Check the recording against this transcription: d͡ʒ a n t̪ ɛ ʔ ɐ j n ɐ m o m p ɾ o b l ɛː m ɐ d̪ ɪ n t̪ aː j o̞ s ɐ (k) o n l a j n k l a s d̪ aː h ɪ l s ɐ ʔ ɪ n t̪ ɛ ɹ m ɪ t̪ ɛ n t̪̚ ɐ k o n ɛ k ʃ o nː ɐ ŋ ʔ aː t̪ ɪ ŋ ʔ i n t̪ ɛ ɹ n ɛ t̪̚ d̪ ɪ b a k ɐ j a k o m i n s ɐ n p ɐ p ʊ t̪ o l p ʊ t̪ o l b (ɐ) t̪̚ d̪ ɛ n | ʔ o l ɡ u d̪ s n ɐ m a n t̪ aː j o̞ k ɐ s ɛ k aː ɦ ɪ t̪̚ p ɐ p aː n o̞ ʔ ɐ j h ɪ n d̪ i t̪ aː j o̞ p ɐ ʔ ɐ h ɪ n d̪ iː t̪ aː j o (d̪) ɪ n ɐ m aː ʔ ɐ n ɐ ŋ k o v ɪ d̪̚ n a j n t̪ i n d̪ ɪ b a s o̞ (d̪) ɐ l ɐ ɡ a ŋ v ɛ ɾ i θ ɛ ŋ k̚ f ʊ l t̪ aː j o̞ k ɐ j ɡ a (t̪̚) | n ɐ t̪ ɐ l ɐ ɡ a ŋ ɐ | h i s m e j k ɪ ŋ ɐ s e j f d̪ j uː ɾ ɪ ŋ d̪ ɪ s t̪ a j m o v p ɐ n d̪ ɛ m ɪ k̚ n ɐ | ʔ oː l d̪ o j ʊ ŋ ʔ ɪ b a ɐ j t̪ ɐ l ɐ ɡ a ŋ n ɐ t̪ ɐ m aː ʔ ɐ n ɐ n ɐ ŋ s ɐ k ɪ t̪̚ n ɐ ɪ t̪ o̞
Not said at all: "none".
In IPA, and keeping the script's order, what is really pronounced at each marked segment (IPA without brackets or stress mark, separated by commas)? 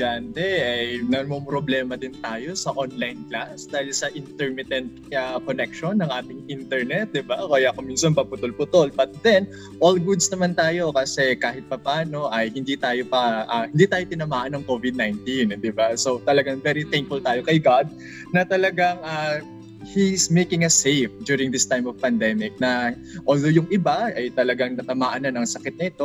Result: ʔ, ɐ, t̪, t̪, d̪̚